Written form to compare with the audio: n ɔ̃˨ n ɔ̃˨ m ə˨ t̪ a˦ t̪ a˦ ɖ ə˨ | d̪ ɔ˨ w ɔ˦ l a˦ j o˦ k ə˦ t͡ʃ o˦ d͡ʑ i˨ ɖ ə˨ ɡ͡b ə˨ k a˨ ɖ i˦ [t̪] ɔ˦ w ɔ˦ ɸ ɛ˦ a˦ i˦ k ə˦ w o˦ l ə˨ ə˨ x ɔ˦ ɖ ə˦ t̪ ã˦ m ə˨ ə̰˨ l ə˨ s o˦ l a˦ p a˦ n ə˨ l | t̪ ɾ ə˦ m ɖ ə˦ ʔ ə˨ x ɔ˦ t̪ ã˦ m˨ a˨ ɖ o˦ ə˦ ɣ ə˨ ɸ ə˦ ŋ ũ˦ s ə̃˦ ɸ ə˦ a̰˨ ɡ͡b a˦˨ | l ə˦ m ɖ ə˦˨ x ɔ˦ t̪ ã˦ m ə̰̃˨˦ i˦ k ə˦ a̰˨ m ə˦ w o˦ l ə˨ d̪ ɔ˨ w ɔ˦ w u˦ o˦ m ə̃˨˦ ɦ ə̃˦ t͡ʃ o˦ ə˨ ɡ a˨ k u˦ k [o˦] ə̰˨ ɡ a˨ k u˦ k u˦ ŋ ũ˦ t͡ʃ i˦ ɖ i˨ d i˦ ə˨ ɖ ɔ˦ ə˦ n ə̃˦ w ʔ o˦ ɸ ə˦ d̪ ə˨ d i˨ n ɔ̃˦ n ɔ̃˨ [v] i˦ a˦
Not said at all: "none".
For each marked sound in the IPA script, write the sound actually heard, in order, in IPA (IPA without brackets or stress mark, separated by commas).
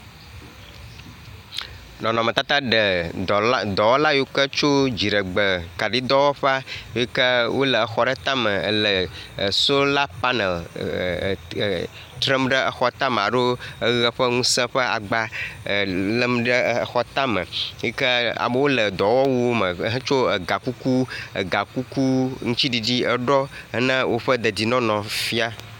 d̪, u˦, f